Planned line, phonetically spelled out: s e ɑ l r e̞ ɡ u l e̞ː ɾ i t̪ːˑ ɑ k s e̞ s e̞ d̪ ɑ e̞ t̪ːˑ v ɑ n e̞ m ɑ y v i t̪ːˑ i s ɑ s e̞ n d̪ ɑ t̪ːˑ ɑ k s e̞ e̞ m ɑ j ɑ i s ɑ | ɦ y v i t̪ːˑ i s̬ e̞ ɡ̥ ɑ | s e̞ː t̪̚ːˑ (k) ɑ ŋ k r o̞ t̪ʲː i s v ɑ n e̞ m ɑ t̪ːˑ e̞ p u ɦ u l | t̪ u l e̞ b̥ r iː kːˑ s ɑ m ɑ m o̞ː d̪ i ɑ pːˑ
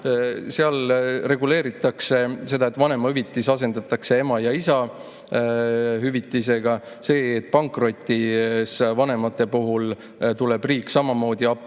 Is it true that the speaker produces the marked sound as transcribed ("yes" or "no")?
no